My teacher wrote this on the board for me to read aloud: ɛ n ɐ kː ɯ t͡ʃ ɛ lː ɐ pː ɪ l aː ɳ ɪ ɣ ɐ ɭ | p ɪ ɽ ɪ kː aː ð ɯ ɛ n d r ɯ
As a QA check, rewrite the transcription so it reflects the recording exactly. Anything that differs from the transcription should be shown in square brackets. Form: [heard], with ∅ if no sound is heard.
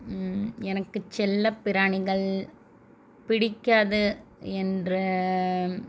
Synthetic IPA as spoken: ɛ n ɐ kː ɯ t͡ʃ ɛ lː ɐ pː ɪ [ɾ] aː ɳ ɪ ɣ ɐ ɭ | p ɪ ɽ ɪ kː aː ð ɯ ɛ n d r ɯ